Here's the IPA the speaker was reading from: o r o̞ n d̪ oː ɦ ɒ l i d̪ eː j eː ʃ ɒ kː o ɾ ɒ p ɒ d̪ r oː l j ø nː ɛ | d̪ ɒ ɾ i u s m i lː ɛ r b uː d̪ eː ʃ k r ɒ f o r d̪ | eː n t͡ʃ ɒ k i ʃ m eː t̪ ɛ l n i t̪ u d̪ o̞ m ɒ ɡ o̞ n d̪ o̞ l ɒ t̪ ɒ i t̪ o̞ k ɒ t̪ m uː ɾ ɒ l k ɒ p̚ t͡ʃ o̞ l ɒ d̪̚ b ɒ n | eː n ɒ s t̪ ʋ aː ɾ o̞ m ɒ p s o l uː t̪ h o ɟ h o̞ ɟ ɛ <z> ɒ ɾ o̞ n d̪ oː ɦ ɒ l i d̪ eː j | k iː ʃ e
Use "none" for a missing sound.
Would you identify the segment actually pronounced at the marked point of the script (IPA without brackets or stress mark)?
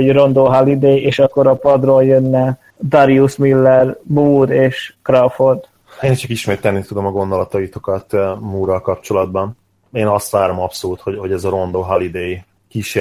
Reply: z